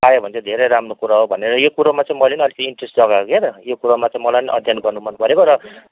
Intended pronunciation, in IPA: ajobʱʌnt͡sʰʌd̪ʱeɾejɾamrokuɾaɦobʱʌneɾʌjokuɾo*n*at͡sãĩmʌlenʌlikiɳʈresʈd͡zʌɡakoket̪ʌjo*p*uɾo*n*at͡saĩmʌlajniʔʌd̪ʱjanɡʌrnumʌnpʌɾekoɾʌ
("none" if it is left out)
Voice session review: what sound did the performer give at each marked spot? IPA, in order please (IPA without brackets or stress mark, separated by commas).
m, k, m